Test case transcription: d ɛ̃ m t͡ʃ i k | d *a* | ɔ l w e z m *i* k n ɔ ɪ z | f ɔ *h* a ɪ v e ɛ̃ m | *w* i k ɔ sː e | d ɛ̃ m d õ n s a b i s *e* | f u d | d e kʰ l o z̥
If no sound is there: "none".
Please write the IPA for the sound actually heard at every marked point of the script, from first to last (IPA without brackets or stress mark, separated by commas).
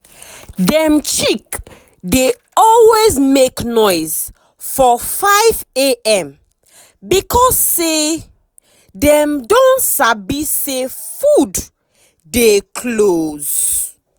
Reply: e, e, f, b, e